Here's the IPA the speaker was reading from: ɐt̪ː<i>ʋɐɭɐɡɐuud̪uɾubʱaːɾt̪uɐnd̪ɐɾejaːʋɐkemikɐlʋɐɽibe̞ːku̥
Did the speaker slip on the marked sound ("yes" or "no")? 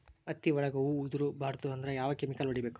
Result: no